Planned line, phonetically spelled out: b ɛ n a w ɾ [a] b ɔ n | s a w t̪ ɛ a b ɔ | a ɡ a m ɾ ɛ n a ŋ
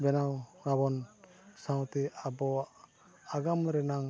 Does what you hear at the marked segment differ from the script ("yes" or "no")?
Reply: no